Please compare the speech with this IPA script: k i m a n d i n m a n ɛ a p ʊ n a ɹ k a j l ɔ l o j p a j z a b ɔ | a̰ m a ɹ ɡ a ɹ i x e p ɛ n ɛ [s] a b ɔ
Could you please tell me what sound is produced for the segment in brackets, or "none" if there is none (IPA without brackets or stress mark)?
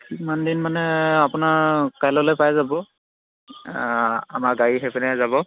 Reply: z